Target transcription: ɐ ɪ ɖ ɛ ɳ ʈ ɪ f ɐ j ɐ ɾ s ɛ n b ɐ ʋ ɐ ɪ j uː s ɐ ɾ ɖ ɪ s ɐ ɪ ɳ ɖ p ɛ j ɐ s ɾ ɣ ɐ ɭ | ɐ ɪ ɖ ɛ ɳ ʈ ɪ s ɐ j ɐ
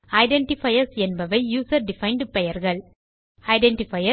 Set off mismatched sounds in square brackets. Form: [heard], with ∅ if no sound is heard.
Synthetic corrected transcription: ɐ ɪ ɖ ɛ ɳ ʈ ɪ f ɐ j ɐ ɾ s ɛ n b ɐ ʋ ɐ ɪ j uː s ɐ ɾ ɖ ɪ [f] ɐ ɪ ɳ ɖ p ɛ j ɐ [∅] ɾ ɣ ɐ ɭ | ɐ ɪ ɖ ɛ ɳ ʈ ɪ [f] ɐ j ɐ